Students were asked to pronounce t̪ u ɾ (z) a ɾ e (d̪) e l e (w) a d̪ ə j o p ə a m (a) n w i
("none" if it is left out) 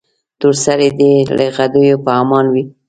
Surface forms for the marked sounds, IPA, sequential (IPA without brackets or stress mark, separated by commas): s, d̪, ɣ, ɑ